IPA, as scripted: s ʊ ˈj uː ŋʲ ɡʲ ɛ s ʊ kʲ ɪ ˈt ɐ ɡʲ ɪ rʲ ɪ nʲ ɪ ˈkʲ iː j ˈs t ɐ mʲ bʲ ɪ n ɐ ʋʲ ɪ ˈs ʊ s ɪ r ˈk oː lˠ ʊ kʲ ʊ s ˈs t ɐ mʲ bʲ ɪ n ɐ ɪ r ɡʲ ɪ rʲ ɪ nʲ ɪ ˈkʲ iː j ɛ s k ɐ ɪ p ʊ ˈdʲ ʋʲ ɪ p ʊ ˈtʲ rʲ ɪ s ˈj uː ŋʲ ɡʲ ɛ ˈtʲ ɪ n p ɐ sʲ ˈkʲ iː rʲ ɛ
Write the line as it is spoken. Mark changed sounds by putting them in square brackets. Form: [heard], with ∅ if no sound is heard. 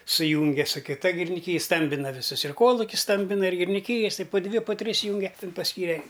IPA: s ʊ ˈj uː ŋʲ ɡʲ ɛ s ʊ kʲ ɪ ˈt ɐ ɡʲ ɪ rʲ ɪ nʲ ɪ ˈkʲ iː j ˈs t ɐ mʲ bʲ ɪ n ɐ ʋʲ ɪ ˈs ʊ s ɪ r ˈk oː lˠ ʊ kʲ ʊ s ˈs t ɐ mʲ bʲ ɪ n ɐ ɪ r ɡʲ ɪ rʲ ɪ nʲ ɪ ˈkʲ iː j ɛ s [t] ɐ ɪ p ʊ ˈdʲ ʋʲ ɪ p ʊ ˈtʲ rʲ ɪ s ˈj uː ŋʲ ɡʲ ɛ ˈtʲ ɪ n p ɐ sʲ ˈkʲ iː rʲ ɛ

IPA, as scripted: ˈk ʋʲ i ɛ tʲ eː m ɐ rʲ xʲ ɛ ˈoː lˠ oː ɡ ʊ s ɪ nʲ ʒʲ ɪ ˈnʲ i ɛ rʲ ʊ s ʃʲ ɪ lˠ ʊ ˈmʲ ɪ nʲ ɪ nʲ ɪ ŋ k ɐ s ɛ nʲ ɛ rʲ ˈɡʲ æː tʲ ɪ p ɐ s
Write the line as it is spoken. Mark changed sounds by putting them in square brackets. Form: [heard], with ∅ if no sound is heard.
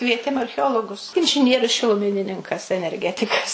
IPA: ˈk ʋʲ i ɛ tʲ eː m ɐ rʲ xʲ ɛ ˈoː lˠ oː ɡ ʊ s ɪ nʲ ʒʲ ɪ ˈnʲ i ɛ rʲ ʊ s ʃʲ ɪ lˠ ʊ ˈmʲ ɪ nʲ ɪ nʲ ɪ ŋ k ɐ s ɛ nʲ ɛ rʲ ˈɡʲ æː tʲ ɪ [k] ɐ s

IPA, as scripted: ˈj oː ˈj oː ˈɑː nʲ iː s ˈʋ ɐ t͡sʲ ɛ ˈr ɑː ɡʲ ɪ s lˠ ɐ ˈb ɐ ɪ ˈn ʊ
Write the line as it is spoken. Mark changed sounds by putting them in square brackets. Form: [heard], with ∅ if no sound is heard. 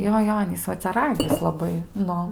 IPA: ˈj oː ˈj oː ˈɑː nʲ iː s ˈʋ ɐ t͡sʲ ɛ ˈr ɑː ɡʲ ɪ s lˠ ɐ ˈb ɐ ɪ ˈn ʊ

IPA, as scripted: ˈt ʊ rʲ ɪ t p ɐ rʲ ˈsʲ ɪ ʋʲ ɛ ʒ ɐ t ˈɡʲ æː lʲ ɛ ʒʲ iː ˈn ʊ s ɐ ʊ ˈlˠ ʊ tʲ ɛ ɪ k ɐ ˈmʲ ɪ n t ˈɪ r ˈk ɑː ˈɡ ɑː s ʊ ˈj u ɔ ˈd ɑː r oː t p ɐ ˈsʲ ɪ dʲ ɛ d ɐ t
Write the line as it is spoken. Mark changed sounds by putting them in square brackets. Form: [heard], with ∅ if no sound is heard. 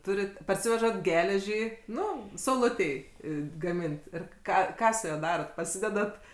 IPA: ˈt ʊ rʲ ɪ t p ɐ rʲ ˈsʲ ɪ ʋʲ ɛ ʒ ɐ t ˈɡʲ æː lʲ ɛ ʒʲ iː ˈn ʊ s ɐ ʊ ˈlˠ ʊ tʲ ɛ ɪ [ɡ] ɐ ˈmʲ ɪ n t ˈɪ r ˈk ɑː [ˈk] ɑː s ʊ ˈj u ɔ ˈd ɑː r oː t p ɐ ˈsʲ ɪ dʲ ɛ d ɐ t

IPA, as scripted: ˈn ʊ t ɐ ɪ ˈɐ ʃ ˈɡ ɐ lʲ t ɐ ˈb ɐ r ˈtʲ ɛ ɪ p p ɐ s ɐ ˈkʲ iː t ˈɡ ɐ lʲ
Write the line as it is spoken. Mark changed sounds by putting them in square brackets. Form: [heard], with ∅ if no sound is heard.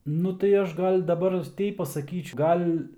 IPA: ˈn ʊ t ɐ ɪ ˈɐ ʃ ˈɡ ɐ lʲ [d] ɐ ˈb ɐ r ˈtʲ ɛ ɪ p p ɐ s ɐ ˈkʲ iː [t͡ʃ] ˈɡ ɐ lʲ

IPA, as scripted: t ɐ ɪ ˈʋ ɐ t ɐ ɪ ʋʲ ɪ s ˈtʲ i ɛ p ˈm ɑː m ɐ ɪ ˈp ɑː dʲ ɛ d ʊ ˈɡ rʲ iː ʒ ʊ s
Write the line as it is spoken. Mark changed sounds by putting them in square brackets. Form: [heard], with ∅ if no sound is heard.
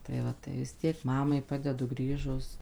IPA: t ɐ ɪ ˈʋ ɐ t ɐ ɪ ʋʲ ɪ s ˈtʲ i ɛ [k] ˈm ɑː m ɐ ɪ ˈp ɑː dʲ ɛ d ʊ ˈɡ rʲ iː ʒ ʊ s

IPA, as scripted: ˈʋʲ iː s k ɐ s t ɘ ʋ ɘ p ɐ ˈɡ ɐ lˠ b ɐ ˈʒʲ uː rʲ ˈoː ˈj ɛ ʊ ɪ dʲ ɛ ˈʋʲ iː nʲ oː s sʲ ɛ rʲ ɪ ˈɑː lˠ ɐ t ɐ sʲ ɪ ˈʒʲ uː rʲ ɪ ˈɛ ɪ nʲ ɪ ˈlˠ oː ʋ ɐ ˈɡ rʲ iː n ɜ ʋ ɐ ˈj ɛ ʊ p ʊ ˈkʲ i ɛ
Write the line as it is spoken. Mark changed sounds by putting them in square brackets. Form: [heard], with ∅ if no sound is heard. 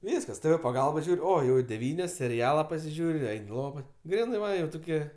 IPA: ˈʋʲ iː s k ɐ s t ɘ ʋ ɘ p ɐ ˈɡ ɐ lˠ b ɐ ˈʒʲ uː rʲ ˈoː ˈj ɛ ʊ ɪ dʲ ɛ ˈʋʲ iː nʲ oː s sʲ ɛ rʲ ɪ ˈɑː lˠ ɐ [p] ɐ sʲ ɪ ˈʒʲ uː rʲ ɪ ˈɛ ɪ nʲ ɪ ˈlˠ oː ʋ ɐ ˈɡ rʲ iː n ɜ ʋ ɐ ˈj ɛ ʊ [t] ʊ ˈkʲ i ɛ

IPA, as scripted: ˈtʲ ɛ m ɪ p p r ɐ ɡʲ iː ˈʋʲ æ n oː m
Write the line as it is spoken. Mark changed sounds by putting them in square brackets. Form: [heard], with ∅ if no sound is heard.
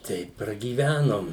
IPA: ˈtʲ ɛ [∅] ɪ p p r ɐ ɡʲ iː ˈʋʲ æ n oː m

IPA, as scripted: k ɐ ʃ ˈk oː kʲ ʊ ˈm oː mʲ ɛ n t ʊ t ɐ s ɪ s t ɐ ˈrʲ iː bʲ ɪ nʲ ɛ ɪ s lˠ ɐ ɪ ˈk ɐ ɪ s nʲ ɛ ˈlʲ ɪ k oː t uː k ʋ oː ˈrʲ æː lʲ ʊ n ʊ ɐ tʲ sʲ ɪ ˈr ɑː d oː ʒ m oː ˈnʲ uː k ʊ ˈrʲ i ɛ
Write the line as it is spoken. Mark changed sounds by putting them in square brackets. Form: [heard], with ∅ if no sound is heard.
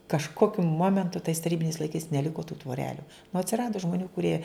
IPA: k ɐ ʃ ˈk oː kʲ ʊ ˈm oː mʲ ɛ n t ʊ t ɐ [∅] ɪ s t ɐ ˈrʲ iː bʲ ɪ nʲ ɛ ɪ s lˠ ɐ ɪ ˈk ɐ ɪ s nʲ ɛ ˈlʲ ɪ k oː t uː [t] ʋ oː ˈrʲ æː lʲ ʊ n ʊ ɐ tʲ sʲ ɪ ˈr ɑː d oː ʒ m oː ˈnʲ uː k ʊ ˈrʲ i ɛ

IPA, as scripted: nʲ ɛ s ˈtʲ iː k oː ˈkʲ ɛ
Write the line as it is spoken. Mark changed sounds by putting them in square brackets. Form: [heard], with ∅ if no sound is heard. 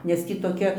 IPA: nʲ ɛ s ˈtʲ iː [t] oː ˈkʲ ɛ

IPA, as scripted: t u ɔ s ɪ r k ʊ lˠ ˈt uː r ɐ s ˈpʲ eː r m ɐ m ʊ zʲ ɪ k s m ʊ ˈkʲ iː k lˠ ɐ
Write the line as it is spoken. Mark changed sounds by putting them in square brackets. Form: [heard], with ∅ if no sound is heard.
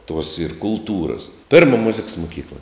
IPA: t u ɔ s ɪ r k ʊ lˠ ˈt uː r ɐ s ˈpʲ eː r m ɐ m ʊ zʲ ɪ k s m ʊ ˈkʲ iː k lˠ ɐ

